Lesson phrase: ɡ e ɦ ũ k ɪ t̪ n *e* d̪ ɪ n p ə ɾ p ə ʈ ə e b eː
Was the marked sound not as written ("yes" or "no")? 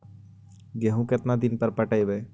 yes